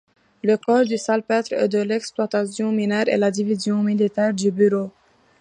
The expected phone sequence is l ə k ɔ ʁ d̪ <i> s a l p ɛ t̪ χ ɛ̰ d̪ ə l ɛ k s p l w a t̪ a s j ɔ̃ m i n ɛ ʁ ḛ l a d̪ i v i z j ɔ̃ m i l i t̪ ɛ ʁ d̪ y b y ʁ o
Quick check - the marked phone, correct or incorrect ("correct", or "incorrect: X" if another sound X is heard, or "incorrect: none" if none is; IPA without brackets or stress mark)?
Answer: incorrect: y